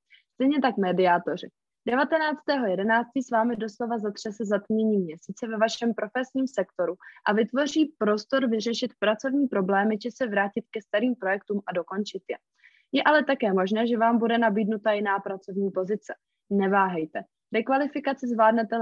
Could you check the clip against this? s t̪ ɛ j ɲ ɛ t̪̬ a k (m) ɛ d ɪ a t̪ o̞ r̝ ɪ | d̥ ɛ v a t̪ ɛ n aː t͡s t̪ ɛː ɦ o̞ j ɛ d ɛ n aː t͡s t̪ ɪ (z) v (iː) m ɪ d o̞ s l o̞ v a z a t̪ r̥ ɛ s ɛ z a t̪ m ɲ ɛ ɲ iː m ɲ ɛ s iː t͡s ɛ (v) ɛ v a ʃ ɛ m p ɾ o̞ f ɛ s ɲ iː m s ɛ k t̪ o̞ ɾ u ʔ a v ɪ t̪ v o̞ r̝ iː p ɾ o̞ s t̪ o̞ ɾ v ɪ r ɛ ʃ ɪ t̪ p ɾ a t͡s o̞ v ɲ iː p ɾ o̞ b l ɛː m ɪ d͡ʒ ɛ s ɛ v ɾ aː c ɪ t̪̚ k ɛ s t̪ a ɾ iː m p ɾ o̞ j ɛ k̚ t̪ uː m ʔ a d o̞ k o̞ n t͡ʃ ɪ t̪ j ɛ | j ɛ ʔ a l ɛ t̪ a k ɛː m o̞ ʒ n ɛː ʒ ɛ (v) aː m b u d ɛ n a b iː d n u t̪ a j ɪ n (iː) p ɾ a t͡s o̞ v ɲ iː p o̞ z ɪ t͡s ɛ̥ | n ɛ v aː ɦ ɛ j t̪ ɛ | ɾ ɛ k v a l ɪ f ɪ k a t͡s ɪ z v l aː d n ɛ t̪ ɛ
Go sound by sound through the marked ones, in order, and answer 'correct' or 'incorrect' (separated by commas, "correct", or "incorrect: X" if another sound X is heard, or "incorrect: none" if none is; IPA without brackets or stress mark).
correct, incorrect: s, incorrect: aː, correct, correct, incorrect: aː